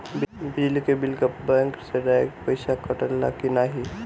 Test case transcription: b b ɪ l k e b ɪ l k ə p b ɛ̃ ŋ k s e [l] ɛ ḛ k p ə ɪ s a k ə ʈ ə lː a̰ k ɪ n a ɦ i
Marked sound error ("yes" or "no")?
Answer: yes